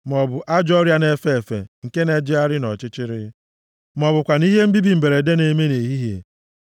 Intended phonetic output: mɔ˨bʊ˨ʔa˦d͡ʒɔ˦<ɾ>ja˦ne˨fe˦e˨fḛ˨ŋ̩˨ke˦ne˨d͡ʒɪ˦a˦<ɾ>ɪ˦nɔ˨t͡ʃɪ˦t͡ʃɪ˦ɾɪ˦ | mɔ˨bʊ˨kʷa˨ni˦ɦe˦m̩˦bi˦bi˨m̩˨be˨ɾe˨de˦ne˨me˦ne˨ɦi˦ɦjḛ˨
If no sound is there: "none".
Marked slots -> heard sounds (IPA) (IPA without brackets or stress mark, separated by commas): ɾ, ɾ